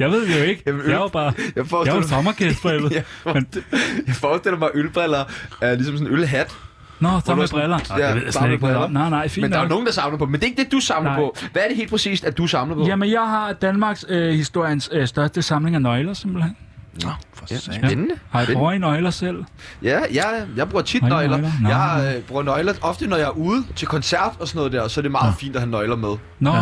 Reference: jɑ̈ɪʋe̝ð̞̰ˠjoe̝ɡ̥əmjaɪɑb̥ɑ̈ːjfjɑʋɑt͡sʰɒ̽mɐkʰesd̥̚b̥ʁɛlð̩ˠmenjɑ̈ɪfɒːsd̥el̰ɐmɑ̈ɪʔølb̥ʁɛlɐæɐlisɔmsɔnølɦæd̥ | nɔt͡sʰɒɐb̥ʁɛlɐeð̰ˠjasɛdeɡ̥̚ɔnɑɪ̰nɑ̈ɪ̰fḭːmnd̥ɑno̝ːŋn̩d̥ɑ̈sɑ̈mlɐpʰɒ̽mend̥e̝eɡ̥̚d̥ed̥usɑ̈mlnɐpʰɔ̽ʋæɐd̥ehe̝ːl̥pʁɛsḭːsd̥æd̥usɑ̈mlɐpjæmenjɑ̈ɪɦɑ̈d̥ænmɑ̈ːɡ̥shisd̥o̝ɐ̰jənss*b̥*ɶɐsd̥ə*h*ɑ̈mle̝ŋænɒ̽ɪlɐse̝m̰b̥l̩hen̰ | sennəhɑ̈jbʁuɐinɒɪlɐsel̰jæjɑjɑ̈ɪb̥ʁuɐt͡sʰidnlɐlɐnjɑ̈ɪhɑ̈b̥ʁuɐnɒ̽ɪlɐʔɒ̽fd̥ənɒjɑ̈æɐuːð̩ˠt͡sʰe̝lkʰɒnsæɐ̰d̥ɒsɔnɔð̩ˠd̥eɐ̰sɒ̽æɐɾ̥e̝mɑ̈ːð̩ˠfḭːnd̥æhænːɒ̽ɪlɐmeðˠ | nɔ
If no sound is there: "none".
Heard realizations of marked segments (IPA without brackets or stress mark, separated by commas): d̥, s